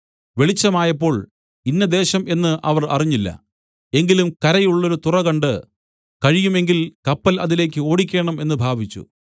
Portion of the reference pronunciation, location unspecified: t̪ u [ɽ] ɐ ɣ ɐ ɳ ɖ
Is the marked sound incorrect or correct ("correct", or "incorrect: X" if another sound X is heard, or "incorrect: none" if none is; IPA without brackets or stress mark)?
incorrect: r